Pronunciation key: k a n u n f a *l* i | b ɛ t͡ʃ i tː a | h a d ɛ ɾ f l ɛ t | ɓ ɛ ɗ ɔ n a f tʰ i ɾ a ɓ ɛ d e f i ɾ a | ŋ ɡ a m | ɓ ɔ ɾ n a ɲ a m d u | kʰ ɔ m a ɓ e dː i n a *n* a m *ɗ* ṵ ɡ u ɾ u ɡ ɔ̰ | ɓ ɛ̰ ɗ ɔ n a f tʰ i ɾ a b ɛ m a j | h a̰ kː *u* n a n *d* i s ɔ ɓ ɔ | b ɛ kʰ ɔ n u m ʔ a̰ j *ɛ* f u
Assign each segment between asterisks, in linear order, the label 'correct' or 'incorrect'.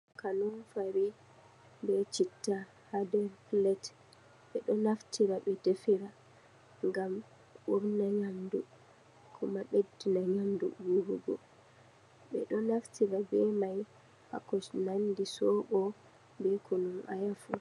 incorrect, incorrect, incorrect, incorrect, correct, incorrect

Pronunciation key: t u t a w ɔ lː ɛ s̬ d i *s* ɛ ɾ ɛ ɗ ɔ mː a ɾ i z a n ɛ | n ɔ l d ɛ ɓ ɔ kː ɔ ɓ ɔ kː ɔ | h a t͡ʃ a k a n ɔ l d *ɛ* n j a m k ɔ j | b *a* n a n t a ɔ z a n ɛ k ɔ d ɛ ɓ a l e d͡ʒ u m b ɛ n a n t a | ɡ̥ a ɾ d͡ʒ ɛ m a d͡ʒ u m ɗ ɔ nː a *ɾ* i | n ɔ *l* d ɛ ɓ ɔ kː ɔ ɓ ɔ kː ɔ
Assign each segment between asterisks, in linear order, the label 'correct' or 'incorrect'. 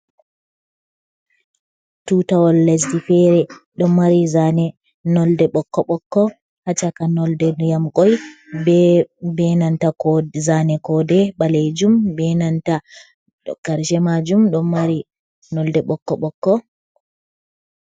incorrect, correct, incorrect, correct, correct

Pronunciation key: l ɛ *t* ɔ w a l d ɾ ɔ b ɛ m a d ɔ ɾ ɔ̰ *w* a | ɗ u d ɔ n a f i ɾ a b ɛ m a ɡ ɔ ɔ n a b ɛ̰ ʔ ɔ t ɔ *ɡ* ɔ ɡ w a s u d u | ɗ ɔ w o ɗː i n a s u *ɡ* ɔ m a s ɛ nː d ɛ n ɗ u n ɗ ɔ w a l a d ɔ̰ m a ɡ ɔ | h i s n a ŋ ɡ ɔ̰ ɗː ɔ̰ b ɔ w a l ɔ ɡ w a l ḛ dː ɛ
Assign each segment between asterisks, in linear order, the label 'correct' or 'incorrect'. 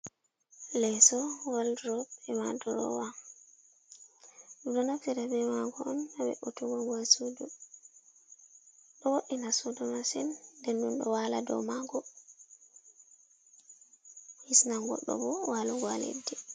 incorrect, correct, correct, incorrect

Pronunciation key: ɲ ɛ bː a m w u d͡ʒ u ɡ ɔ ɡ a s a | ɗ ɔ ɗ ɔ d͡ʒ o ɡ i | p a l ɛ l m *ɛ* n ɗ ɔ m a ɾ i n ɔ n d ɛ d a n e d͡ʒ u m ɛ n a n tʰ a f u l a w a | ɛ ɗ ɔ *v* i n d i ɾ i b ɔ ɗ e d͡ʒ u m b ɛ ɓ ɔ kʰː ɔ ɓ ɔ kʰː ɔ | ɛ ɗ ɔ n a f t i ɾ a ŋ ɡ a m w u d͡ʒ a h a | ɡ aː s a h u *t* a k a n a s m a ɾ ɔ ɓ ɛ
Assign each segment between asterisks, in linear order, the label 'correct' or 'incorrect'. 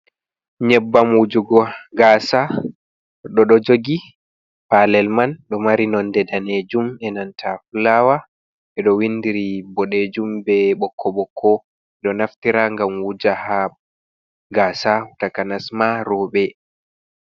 incorrect, incorrect, correct

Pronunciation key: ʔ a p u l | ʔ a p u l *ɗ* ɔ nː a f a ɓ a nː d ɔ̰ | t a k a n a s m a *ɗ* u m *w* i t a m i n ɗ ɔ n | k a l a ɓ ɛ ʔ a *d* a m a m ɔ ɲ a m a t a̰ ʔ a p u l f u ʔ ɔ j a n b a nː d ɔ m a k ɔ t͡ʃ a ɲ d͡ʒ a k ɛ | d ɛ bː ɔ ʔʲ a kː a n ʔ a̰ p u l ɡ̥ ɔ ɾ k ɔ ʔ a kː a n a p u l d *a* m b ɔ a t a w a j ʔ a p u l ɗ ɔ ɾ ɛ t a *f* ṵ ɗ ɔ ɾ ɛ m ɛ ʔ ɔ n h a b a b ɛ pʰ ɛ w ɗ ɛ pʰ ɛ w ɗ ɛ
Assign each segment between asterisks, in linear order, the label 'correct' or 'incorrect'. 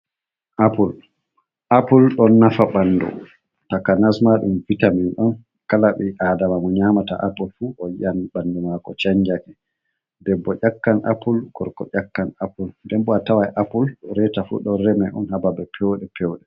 correct, correct, incorrect, correct, incorrect, correct

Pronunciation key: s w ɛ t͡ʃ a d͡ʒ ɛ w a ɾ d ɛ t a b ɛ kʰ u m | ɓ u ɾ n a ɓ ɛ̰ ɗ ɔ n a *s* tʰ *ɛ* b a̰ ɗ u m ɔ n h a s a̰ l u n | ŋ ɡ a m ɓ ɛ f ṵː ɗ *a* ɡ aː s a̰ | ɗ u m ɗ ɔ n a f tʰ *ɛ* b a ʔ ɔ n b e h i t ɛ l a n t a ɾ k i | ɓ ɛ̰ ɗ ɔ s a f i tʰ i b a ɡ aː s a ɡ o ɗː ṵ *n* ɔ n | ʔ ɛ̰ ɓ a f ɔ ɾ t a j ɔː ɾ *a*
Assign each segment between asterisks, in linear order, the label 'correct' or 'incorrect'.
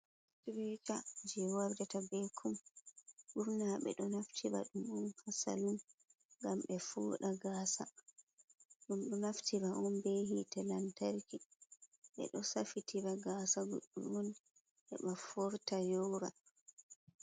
incorrect, incorrect, correct, incorrect, incorrect, correct

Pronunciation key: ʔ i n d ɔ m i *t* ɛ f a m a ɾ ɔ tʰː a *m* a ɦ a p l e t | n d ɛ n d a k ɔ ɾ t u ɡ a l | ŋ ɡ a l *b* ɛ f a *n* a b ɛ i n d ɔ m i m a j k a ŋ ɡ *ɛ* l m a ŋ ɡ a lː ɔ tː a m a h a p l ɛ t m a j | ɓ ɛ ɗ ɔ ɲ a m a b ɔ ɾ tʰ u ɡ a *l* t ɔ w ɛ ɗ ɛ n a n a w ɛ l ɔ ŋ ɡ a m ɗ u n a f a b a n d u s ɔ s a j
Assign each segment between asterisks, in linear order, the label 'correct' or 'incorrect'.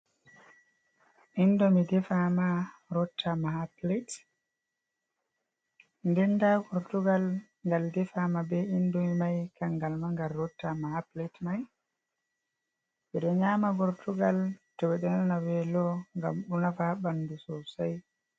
incorrect, correct, incorrect, incorrect, incorrect, correct

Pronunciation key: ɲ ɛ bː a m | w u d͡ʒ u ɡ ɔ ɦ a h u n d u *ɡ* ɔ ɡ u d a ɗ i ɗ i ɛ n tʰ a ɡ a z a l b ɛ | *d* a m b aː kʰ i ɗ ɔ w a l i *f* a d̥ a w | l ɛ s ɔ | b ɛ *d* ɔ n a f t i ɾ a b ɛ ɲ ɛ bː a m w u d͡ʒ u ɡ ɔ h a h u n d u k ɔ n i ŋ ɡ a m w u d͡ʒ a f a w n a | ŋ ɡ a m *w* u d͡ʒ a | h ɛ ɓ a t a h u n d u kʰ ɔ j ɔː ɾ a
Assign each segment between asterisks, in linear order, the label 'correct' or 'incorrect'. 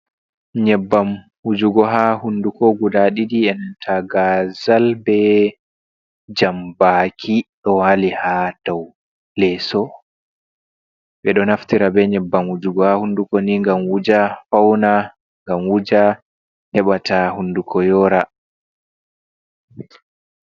incorrect, incorrect, incorrect, incorrect, correct

